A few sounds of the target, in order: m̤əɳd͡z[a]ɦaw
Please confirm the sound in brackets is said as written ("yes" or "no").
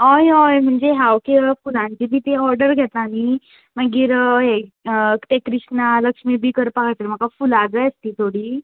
no